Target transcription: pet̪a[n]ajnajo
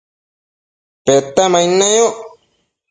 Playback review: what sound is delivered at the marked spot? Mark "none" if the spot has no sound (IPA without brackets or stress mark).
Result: m